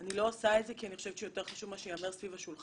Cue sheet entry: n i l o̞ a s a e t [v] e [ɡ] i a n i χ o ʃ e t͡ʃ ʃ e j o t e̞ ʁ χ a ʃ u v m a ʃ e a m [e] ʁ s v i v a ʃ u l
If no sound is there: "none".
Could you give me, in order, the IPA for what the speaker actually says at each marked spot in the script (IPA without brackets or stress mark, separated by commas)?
z, k, e